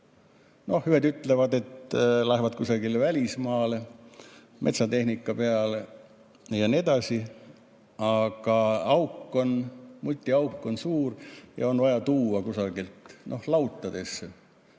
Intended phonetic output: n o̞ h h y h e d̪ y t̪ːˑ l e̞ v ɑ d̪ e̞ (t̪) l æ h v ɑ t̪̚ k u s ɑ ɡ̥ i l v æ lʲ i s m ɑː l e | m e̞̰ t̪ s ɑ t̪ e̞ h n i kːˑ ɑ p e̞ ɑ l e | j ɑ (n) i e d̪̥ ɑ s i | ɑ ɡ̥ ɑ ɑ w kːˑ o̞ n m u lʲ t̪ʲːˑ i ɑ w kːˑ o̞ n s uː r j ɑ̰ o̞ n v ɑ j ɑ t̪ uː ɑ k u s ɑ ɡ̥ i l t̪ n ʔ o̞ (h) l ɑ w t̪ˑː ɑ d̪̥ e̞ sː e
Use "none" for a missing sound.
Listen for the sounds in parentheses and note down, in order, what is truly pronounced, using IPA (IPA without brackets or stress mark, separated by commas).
t̪, n, h